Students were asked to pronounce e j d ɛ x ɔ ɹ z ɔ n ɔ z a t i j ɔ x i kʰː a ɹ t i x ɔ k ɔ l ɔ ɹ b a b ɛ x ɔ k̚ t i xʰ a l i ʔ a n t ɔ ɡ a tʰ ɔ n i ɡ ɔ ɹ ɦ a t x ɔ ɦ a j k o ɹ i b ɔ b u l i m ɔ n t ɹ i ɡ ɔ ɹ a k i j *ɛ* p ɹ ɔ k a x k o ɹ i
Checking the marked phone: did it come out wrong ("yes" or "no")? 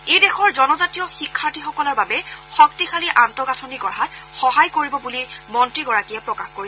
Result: no